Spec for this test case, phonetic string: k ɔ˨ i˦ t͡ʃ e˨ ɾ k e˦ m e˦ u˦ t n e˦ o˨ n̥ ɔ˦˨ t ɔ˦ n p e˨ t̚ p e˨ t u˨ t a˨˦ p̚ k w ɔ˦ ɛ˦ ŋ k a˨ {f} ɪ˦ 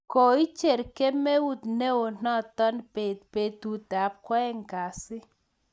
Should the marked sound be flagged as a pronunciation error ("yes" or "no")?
yes